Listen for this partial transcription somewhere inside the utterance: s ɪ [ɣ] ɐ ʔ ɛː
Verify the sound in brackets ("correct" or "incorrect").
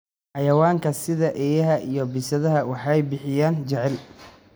incorrect